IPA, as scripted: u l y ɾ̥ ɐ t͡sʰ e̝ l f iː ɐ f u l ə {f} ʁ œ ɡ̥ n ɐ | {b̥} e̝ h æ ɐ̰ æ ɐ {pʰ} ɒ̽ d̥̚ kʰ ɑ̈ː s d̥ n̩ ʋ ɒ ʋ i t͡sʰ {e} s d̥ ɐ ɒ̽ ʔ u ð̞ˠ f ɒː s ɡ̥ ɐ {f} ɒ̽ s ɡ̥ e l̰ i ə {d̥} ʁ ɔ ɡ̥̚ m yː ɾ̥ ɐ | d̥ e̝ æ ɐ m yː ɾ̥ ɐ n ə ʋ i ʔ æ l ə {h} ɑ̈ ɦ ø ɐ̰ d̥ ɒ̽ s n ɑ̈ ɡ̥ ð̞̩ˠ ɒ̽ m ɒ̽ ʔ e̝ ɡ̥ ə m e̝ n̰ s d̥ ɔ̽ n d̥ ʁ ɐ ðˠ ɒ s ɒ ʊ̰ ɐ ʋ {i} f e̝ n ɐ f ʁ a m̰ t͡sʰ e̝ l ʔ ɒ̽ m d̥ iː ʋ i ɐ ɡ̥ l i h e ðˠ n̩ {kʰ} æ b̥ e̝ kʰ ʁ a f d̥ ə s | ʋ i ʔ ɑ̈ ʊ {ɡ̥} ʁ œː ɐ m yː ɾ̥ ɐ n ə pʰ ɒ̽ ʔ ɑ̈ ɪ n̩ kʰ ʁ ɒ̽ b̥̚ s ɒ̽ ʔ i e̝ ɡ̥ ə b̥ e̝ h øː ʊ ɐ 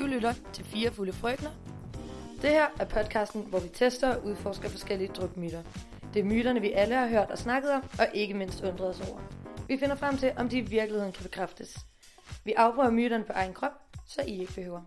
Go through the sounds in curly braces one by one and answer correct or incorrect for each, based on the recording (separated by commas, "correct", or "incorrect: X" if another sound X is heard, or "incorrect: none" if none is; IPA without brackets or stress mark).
correct, incorrect: d̥, correct, correct, correct, correct, correct, correct, correct, incorrect: b̥